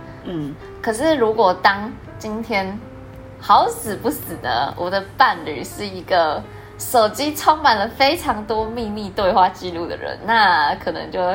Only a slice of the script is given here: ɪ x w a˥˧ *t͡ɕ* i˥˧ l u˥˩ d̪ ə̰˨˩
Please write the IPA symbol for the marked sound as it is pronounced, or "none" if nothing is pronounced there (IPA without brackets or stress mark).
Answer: t͡ɕ